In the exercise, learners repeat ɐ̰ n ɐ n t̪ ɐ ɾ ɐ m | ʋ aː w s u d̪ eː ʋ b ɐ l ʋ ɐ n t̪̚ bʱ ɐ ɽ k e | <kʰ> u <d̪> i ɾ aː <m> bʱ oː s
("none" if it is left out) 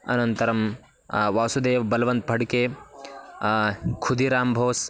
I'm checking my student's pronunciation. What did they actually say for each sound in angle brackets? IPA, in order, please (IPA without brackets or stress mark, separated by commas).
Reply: kʰ, d̪, m